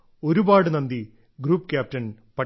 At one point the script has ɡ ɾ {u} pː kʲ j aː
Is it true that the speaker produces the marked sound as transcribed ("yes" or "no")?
no